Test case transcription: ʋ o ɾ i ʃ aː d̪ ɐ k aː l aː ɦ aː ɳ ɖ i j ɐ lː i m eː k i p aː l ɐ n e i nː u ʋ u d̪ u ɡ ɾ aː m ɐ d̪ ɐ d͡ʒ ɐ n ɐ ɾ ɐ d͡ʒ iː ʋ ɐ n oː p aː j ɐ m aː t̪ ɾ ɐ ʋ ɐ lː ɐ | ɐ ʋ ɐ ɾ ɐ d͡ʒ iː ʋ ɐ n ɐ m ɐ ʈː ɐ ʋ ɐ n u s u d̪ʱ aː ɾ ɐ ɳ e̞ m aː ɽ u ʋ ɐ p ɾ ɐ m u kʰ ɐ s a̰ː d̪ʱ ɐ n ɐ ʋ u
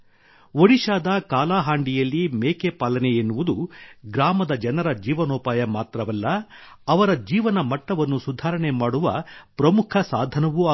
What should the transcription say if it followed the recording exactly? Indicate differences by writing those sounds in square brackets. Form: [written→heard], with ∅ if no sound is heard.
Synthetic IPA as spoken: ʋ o [ɾ→ɽ] i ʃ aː d̪ ɐ k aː l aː ɦ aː ɳ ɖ i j ɐ lː i m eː k [i→e] p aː l ɐ n e [i→e] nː u ʋ u d̪ u ɡ ɾ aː m ɐ d̪ ɐ d͡ʒ ɐ n ɐ ɾ ɐ d͡ʒ iː ʋ ɐ n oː p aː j ɐ m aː t̪ ɾ ɐ ʋ ɐ lː ɐ | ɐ ʋ ɐ ɾ ɐ d͡ʒ iː ʋ ɐ n ɐ m ɐ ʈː ɐ ʋ ɐ [n→nː] u s u d̪ʱ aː ɾ ɐ ɳ e̞ m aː ɽ u ʋ ɐ p ɾ ɐ m u kʰ ɐ s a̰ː d̪ʱ ɐ n ɐ ʋ u